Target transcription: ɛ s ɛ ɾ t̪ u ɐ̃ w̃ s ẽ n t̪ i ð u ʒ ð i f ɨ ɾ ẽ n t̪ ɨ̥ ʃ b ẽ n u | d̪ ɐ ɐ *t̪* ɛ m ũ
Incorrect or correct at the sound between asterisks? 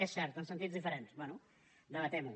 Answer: correct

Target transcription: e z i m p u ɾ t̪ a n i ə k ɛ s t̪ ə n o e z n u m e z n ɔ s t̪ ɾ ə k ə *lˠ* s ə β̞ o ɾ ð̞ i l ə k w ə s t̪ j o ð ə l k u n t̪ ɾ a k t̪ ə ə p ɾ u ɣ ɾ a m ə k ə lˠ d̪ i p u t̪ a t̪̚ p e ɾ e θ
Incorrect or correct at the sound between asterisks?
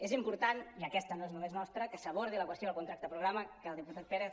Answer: incorrect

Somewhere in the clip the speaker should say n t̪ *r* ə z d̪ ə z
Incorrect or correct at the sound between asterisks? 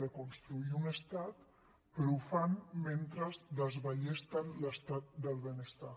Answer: incorrect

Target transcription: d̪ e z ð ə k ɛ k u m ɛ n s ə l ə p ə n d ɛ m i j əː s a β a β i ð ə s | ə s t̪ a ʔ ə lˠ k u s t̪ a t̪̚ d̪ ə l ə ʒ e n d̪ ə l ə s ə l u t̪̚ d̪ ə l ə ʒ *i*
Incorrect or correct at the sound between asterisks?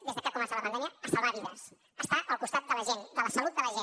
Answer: incorrect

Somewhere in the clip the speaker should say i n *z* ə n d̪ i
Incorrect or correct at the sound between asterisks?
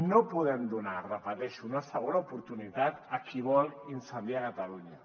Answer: incorrect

